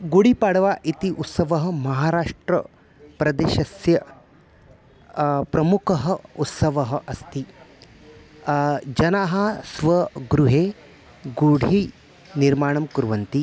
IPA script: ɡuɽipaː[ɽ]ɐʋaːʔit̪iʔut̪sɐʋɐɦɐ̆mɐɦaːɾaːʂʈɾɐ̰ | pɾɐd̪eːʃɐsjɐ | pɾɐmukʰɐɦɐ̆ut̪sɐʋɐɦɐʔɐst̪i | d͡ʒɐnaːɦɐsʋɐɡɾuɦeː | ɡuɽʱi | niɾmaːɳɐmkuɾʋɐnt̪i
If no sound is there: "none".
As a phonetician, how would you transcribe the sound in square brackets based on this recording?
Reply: ɽ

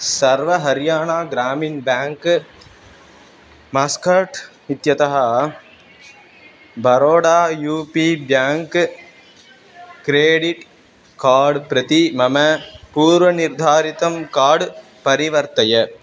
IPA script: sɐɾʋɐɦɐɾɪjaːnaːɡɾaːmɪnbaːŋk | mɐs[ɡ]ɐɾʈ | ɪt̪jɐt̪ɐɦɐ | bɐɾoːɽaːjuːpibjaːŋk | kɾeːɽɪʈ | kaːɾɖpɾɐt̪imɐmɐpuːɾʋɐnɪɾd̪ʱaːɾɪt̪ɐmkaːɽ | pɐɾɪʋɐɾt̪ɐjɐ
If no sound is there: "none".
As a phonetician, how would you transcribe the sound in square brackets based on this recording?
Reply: k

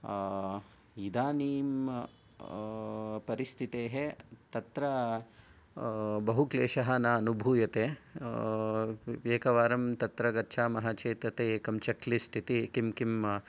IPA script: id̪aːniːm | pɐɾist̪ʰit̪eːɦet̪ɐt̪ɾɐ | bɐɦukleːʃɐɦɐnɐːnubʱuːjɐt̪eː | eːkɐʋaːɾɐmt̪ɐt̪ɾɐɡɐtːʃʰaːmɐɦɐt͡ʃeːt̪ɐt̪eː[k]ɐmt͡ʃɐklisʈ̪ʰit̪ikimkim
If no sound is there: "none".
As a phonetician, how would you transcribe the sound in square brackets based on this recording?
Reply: k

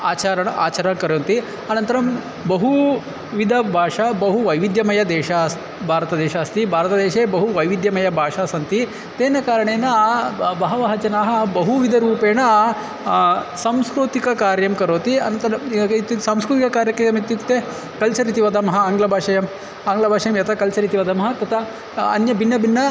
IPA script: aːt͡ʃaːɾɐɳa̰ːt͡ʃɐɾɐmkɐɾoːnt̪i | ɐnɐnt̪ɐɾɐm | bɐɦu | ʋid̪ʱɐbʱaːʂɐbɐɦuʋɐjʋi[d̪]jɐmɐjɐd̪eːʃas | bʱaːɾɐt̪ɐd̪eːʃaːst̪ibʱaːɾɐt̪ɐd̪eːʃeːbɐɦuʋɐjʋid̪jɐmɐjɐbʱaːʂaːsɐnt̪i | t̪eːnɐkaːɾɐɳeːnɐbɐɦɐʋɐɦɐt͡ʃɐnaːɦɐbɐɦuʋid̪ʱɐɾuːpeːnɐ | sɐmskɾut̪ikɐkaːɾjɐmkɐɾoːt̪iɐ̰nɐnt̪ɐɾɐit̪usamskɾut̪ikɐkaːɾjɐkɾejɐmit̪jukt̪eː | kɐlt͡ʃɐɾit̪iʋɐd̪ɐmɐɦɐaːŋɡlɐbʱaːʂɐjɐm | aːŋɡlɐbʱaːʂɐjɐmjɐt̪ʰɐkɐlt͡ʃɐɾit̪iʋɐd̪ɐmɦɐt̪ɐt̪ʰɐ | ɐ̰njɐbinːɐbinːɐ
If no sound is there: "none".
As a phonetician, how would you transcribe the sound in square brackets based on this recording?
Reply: d̪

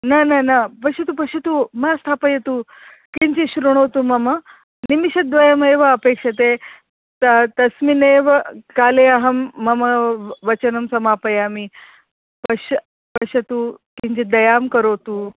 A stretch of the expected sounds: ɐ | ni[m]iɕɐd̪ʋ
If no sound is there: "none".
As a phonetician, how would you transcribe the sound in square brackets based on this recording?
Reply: m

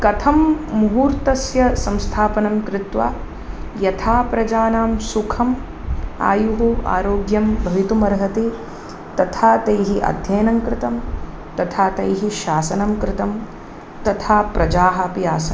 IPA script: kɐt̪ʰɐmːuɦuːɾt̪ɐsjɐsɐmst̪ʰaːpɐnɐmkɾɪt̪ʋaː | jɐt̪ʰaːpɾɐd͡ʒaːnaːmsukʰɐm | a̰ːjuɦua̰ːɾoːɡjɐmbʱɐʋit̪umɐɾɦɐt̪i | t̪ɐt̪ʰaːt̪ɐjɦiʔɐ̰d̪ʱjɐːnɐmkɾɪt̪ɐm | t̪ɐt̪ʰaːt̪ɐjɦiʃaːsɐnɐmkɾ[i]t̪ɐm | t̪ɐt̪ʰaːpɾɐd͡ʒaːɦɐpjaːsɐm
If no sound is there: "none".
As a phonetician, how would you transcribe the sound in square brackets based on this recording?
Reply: ɪ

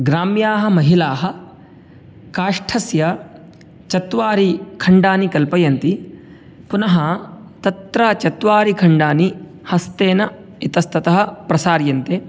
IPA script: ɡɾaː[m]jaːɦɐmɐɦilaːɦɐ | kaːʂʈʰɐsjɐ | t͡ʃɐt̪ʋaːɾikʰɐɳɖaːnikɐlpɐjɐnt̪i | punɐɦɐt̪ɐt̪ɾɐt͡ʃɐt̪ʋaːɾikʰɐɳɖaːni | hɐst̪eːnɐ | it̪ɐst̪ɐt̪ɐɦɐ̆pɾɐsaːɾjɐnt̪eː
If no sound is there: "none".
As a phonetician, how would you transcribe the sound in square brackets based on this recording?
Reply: m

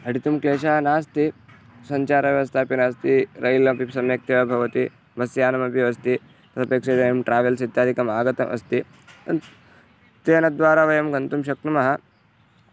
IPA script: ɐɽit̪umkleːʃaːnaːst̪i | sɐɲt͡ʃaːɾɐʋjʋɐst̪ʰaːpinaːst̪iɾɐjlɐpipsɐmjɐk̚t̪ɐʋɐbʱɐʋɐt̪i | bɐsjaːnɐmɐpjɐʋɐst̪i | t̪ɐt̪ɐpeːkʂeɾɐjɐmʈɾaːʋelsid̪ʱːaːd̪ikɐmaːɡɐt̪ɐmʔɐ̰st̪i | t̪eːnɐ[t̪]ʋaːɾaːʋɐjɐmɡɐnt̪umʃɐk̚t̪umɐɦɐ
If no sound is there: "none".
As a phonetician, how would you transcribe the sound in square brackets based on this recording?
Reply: d̪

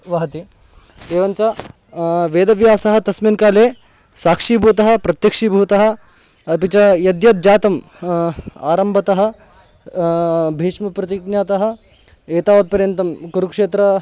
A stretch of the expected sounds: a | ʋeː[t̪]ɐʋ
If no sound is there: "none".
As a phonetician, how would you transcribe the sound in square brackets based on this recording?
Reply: d̪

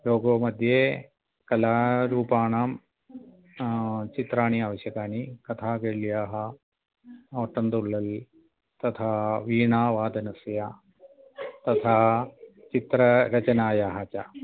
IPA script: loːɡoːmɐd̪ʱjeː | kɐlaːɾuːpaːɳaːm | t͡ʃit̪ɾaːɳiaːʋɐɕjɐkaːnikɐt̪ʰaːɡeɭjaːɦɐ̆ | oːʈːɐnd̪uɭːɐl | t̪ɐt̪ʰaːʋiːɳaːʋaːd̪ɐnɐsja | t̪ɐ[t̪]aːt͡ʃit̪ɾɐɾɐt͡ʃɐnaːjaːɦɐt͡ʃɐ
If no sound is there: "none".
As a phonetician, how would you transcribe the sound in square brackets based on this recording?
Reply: t̪ʰ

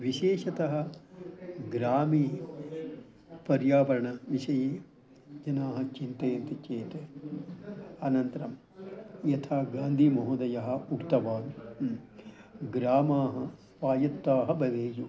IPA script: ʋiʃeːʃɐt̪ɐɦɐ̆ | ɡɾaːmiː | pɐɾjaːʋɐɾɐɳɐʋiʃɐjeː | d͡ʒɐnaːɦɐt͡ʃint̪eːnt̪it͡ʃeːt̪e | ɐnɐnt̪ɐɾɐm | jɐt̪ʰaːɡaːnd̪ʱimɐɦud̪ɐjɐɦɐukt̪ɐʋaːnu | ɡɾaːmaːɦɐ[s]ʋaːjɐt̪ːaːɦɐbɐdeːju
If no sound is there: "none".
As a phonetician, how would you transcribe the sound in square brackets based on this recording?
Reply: s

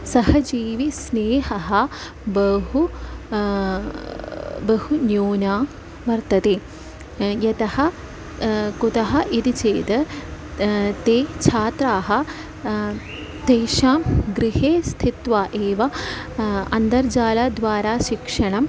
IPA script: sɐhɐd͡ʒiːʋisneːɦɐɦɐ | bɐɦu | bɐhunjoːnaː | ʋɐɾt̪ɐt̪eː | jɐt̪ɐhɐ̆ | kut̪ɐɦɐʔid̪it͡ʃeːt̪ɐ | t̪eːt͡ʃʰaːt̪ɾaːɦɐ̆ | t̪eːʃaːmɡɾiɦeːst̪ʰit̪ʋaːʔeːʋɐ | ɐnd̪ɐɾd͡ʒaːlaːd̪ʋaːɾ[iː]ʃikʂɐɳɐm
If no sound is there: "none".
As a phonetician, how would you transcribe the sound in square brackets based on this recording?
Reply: aː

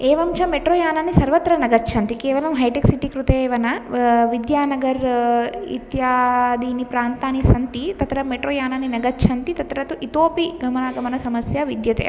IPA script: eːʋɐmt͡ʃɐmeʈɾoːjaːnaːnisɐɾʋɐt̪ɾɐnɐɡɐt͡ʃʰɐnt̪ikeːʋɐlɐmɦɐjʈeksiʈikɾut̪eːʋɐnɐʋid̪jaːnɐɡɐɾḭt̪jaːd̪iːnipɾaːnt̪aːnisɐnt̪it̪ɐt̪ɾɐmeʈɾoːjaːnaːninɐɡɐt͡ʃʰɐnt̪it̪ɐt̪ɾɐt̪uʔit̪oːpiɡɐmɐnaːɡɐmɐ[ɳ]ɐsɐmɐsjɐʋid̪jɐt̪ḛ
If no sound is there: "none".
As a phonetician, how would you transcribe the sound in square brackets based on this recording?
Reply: n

